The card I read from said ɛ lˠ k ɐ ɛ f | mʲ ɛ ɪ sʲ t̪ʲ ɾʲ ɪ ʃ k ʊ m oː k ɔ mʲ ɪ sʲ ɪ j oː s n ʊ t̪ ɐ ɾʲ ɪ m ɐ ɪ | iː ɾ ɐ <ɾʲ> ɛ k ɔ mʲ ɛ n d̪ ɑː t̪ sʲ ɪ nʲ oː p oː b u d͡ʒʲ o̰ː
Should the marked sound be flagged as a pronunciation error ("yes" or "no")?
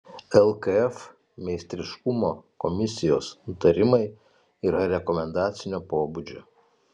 no